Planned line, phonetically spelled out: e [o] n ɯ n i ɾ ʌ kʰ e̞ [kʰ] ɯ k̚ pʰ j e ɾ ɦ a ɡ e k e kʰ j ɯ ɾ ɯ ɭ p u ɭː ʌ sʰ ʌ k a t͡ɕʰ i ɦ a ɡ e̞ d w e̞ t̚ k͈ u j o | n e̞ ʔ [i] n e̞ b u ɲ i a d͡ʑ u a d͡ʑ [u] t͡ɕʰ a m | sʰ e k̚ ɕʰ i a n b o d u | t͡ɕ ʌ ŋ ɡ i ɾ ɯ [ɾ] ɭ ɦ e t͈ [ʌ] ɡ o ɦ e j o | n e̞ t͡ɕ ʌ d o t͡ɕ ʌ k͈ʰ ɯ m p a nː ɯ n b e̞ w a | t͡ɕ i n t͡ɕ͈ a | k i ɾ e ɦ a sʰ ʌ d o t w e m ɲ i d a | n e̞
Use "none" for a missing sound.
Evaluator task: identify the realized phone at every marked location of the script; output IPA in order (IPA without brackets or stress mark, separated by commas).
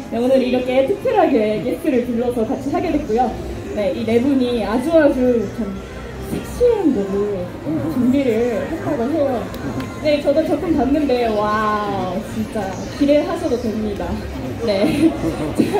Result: o, tʰ, i, u, ɭ, a